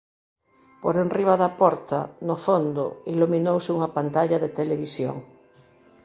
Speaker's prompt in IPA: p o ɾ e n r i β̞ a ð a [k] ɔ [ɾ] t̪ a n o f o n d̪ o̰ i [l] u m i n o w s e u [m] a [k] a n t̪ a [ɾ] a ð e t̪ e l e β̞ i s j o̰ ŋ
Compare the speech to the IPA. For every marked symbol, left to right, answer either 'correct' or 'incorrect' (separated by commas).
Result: incorrect, correct, correct, incorrect, incorrect, incorrect